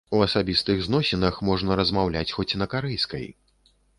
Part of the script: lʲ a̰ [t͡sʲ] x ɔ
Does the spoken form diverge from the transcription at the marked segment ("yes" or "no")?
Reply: no